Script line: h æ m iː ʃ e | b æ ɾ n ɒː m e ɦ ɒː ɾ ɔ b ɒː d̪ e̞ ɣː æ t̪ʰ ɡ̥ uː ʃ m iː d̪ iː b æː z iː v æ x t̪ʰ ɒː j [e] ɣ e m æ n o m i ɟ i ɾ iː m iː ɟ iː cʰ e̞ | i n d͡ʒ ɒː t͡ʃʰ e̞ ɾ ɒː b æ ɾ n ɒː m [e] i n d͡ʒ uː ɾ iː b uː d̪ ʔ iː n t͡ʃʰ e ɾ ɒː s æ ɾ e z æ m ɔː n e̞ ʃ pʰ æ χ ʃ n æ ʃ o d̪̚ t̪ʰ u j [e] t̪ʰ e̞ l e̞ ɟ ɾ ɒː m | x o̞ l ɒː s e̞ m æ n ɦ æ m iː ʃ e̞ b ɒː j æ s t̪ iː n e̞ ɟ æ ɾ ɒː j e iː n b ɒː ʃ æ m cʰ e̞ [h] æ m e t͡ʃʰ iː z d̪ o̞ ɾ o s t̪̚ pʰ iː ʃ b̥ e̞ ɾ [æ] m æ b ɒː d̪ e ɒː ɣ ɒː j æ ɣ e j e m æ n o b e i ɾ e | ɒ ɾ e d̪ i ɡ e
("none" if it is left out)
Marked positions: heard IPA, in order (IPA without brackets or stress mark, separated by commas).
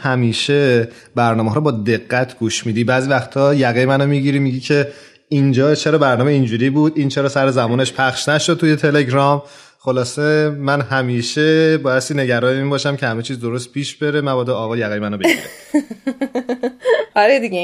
æ, e, e, h, e